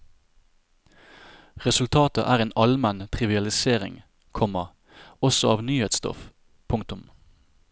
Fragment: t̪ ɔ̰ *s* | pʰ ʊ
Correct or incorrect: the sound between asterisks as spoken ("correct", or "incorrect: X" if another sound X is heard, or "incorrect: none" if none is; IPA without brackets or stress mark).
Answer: incorrect: f